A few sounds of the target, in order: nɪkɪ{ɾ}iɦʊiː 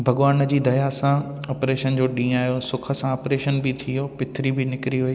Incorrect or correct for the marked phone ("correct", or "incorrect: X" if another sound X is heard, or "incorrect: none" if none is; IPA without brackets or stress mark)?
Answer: correct